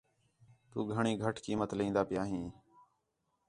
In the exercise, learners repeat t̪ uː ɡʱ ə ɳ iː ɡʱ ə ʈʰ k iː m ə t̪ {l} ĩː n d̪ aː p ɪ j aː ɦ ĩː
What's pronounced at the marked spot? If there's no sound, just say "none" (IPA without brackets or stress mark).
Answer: l